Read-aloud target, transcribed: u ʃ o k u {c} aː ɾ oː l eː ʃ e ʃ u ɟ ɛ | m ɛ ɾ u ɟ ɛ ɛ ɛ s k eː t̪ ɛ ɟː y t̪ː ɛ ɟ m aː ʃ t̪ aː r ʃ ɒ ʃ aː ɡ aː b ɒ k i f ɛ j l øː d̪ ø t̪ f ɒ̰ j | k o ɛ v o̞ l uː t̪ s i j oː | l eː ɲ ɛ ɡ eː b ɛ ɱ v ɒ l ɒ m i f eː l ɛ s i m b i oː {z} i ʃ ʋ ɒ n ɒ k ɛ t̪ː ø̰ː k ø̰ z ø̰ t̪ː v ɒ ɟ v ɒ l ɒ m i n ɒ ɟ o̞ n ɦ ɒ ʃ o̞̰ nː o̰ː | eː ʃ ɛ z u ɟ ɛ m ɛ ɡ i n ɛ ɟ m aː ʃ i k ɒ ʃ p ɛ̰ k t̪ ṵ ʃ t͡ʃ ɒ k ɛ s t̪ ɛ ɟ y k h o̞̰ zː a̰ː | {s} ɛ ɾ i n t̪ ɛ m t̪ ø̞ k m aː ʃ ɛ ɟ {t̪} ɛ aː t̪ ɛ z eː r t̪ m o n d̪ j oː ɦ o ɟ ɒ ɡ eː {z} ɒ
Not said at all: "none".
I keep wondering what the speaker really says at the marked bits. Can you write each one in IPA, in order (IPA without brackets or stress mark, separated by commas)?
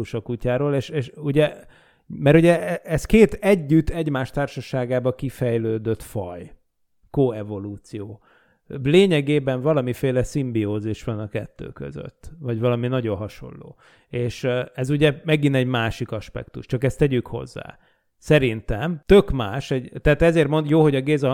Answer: c, z, s, t̪, z